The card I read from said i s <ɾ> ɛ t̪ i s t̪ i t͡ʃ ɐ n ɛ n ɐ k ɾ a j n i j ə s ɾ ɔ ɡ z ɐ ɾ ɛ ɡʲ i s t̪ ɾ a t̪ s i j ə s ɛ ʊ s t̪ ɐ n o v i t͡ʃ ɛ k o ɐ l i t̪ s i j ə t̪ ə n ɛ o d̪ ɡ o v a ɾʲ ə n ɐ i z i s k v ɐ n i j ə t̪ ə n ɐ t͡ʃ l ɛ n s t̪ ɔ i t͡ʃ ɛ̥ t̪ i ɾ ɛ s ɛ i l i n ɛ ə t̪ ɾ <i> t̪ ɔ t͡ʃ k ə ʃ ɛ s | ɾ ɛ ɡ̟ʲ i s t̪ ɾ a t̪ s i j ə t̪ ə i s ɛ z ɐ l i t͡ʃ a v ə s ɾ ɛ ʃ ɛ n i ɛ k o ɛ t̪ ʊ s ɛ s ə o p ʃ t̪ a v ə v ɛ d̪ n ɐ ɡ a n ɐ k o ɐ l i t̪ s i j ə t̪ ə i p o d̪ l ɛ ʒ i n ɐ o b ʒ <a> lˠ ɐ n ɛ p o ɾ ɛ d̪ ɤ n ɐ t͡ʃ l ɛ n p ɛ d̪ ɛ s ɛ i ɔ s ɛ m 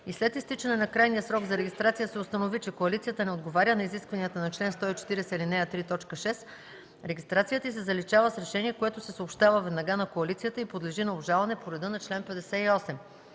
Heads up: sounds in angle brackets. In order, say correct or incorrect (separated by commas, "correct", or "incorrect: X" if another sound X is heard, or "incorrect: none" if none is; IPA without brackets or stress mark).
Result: incorrect: l, correct, correct